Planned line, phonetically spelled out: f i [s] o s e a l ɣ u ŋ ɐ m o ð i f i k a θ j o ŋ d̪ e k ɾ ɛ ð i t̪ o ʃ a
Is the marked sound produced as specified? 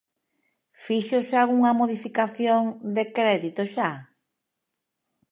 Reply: no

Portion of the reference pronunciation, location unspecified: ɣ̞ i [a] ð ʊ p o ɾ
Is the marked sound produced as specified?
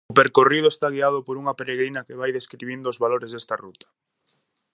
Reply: yes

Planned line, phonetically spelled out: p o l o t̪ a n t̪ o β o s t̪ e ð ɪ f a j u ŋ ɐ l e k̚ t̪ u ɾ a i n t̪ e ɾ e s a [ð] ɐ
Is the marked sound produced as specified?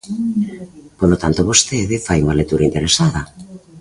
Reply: yes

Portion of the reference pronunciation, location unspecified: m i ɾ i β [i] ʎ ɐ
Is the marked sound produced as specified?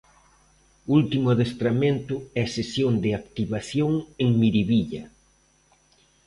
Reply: yes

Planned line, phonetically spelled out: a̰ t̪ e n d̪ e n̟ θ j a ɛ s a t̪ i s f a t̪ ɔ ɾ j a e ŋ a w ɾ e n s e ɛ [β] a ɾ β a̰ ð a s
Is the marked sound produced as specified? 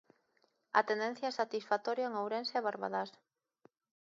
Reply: yes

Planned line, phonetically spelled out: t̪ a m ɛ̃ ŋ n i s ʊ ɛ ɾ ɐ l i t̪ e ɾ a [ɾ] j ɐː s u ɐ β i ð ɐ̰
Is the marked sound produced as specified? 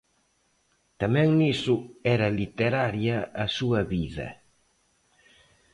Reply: yes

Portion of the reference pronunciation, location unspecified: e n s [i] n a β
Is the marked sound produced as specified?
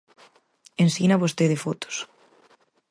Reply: yes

